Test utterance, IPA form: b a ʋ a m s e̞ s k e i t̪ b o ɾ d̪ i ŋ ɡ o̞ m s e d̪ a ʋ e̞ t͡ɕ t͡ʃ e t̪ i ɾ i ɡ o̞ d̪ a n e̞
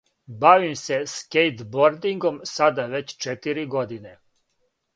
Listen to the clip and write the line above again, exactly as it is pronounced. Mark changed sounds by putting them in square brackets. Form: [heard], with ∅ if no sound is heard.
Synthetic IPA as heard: b a ʋ [i] m s e̞ s k e [j] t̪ b o ɾ d̪ i ŋ ɡ o̞ m s [a] d̪ a ʋ e̞ t͡ɕ t͡ʃ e t̪ i ɾ i ɡ o̞ d̪ [i] n e̞

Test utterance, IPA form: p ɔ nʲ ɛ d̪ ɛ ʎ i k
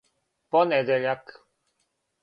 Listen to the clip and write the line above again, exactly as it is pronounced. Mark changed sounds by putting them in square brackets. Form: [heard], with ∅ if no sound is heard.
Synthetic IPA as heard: p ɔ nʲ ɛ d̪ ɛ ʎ [a] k

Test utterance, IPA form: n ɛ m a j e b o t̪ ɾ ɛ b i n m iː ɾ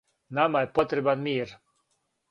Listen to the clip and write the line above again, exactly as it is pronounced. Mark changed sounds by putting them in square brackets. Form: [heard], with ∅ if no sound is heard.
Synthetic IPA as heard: n [a] m a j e [p] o t̪ ɾ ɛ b [a] n m iː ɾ

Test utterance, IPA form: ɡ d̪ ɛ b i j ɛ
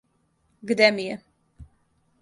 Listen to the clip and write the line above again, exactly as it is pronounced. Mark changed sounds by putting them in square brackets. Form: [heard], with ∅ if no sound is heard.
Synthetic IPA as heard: ɡ d̪ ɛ [m] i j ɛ

